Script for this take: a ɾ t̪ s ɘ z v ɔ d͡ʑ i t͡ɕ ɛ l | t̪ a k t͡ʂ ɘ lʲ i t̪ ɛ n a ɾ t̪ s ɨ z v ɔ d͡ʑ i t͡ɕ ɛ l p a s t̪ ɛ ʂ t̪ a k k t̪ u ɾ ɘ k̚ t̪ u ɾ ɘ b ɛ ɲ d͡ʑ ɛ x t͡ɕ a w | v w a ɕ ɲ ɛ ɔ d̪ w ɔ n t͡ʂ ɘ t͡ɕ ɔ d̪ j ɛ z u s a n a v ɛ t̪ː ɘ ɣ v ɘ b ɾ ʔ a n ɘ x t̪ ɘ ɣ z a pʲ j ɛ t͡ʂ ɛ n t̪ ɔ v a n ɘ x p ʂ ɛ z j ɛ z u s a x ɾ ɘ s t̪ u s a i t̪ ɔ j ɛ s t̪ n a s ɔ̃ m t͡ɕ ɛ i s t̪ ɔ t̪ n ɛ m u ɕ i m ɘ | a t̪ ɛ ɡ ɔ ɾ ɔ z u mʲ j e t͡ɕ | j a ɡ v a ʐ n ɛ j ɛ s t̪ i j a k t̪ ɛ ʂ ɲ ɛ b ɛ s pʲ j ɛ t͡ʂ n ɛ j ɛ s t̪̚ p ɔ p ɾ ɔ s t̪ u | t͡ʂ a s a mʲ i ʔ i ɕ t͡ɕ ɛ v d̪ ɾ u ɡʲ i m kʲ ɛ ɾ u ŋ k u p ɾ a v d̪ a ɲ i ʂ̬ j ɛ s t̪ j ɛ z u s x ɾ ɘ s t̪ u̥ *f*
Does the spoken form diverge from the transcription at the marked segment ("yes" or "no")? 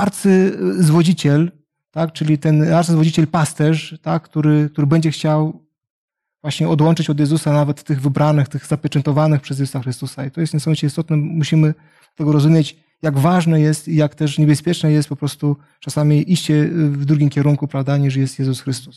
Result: yes